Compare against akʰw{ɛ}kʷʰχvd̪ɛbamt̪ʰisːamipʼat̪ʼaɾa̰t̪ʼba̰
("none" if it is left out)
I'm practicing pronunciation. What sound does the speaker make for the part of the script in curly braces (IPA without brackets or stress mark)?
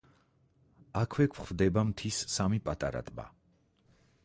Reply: ɛ